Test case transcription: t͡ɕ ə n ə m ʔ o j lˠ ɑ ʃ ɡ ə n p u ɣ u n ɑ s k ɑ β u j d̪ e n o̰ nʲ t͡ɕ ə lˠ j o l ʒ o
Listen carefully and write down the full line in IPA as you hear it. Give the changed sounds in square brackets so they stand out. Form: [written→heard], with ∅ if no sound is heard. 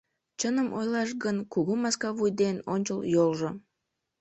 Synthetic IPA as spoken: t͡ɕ ə n ə m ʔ o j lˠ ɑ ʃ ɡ ə n [p→k] u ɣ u [n→m] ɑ s k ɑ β u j d̪ e n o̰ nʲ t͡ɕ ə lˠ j o l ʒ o